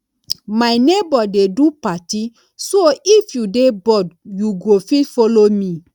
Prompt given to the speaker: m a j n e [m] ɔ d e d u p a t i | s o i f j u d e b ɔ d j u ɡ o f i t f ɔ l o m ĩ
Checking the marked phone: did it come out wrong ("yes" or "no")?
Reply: yes